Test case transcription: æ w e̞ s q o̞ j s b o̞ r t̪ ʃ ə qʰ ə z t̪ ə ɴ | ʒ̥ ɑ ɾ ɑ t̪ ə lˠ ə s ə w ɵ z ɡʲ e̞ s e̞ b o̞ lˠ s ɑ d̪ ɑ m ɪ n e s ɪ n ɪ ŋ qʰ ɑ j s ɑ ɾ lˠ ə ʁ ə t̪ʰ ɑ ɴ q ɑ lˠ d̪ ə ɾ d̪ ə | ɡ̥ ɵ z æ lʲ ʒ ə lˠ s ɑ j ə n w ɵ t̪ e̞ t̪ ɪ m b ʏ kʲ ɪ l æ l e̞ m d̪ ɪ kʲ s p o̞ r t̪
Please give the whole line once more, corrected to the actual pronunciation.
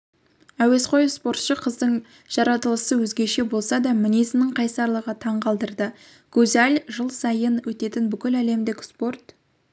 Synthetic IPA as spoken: æ w e̞ s q o̞ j s p o̞ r t̪ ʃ ə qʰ ə z d̪ ə ɴ | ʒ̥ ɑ ɾ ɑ t̪ ə lˠ ə s ə w ɵ z ɡʲ e̞ ʃ e̞ b o̞ lˠ s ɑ d̪ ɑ m ɪ n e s ɪ n ɪ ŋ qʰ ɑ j s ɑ ɾ lˠ ə ʁ ə t̪ʰ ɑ ɴ q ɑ lˠ d̪ ə ɾ d̪ ə | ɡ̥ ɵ z æ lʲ ʒ ə lˠ s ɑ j ə n w ɵ t̪ e̞ t̪ ɪ n b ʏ kʲ ɪ l æ l e̞ m d̪ ɪ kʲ s p o̞ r t̪